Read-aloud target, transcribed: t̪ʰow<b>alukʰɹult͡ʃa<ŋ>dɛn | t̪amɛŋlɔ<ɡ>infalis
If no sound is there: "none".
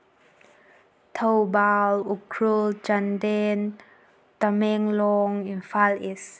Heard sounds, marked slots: b, n, ŋ

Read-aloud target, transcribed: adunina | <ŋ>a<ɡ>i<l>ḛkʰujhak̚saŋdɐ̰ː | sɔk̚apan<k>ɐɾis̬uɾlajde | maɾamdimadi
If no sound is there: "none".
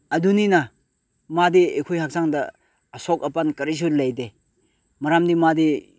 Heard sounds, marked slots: m, d, none, k

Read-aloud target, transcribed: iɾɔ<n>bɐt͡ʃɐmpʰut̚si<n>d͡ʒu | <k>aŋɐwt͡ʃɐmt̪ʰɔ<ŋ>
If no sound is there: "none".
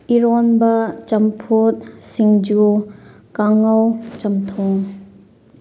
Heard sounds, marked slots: n, ŋ, k, ŋ

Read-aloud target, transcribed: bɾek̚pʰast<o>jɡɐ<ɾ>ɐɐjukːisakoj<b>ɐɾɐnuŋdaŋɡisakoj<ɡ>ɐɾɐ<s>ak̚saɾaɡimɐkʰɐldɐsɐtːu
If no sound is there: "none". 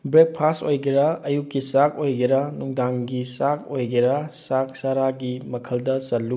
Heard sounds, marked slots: o, ɾ, ɡ, ɡ, s

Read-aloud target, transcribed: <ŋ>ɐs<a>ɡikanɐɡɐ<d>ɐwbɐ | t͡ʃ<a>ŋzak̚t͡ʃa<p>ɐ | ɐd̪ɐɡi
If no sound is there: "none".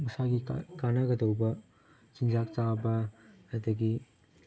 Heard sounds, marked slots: m, a, d, i, b

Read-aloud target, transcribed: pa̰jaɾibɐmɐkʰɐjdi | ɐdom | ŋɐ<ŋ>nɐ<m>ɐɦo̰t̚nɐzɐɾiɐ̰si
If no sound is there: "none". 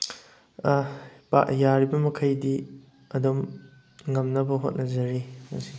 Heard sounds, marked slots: m, b

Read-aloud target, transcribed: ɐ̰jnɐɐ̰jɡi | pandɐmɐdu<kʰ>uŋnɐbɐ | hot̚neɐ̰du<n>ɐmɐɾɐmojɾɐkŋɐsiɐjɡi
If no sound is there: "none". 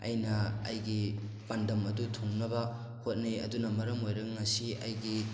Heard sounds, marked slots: tʰ, n

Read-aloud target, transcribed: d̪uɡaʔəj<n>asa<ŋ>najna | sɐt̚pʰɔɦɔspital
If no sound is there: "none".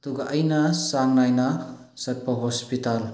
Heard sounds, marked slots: n, ŋ

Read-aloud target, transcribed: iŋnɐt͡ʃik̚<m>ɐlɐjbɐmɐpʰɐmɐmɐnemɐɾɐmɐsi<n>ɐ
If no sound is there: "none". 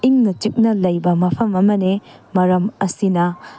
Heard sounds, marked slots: n, n

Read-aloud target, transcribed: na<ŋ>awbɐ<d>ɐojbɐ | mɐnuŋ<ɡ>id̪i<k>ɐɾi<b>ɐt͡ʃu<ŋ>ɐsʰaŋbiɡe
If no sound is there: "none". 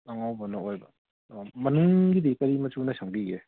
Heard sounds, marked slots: ŋ, n, ɡ, k, m, n

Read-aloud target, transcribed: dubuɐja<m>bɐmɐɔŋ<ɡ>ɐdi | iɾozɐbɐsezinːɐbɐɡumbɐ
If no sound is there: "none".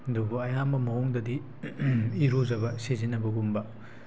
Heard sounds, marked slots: m, d

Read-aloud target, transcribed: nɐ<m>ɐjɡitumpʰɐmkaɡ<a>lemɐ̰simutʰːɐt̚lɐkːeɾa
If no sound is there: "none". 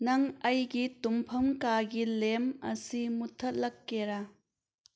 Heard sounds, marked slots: ŋ, i

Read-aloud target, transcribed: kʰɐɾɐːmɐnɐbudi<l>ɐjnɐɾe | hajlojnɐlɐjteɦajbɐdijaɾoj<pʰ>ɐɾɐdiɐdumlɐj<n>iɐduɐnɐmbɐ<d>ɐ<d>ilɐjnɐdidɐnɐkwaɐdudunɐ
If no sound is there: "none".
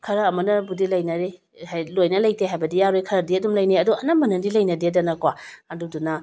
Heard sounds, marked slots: l, kʰ, n, n, d

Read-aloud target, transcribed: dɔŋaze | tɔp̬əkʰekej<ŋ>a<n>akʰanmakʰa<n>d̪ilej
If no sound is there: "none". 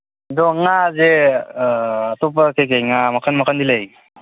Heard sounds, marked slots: ŋ, m, n

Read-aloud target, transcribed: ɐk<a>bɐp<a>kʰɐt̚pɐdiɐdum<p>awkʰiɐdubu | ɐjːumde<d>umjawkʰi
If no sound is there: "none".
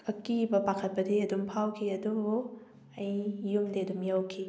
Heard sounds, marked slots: i, a, pʰ, d

